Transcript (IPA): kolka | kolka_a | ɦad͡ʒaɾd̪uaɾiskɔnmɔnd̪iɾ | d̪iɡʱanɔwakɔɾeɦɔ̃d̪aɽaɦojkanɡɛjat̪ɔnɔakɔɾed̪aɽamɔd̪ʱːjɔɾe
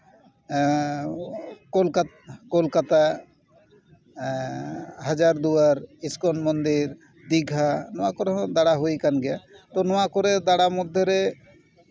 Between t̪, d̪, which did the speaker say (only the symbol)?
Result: t̪